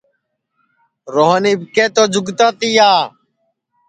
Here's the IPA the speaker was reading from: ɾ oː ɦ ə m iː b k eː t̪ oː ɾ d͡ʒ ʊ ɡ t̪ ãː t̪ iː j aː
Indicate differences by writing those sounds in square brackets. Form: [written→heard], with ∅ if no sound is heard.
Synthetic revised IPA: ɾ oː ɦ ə [m→n] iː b k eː t̪ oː [ɾ→∅] d͡ʒ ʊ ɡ t̪ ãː t̪ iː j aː